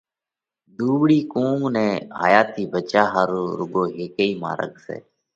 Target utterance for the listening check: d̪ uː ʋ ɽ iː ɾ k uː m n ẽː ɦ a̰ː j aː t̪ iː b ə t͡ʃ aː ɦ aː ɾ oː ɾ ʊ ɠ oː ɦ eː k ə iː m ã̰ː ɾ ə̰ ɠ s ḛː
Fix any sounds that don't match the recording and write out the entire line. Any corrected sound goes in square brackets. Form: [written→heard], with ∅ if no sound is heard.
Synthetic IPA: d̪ uː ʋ ɽ iː [ɾ→∅] k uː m n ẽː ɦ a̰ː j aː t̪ iː b ə t͡ʃ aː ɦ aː ɾ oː ɾ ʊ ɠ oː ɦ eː k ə iː m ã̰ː ɾ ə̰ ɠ s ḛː